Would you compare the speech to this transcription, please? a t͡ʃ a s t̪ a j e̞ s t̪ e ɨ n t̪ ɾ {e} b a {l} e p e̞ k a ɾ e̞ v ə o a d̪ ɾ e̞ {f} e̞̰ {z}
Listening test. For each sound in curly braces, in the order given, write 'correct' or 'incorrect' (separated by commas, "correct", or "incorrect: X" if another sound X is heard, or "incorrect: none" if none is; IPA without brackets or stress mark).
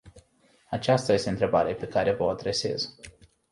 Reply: correct, incorrect: ɾ, incorrect: s, correct